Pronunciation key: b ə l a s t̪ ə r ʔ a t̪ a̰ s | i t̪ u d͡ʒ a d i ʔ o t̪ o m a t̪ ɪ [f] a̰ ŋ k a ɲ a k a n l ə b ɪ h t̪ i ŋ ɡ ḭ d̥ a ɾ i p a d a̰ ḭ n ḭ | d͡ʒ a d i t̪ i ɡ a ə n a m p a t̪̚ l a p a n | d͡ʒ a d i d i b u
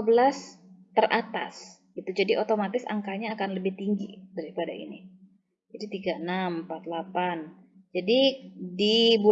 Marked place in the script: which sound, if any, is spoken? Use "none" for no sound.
s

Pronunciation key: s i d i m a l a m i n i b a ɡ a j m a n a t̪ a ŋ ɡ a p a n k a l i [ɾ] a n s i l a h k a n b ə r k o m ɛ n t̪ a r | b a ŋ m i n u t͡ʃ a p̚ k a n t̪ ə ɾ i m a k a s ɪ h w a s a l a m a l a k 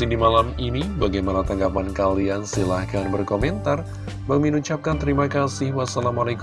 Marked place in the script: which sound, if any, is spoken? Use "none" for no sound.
none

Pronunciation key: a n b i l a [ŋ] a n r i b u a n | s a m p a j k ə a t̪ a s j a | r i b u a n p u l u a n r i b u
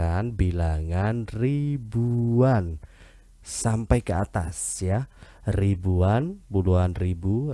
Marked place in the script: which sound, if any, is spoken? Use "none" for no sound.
ŋ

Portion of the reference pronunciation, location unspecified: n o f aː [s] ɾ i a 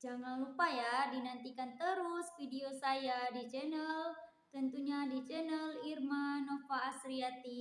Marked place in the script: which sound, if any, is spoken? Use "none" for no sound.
s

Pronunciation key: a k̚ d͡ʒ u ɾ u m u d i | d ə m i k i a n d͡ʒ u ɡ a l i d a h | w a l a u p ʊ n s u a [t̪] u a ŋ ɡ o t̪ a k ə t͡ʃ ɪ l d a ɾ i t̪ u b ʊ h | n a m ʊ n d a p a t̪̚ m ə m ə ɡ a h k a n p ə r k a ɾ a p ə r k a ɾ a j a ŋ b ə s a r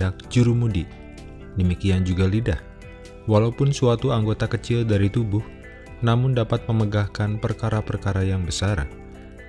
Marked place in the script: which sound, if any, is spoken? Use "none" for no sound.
t̪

